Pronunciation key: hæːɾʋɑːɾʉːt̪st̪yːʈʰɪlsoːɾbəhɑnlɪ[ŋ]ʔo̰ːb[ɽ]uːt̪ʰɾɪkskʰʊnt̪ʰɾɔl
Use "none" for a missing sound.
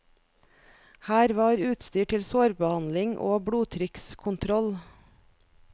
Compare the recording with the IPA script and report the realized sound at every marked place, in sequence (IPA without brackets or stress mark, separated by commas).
ŋ, ɽ